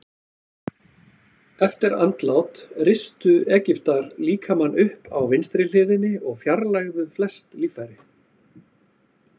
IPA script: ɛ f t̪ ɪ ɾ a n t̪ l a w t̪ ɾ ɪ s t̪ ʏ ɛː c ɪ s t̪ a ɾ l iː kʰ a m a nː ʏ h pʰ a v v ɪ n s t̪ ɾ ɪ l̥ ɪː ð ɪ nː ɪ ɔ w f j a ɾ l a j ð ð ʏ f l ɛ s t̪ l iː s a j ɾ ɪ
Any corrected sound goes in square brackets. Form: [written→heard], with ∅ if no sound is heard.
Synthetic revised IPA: ɛ f t̪ ɪ ɾ a n t̪ l a w t̪ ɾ ɪ s t̪ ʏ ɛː c ɪ [s→f] t̪ a ɾ l iː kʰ a m a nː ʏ h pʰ a [v→w] v ɪ n s t̪ ɾ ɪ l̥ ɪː ð ɪ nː ɪ ɔ [w→ɣ] f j a ɾ l a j [ð→ɣ] ð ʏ f l ɛ s t̪ l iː [s→f] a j ɾ ɪ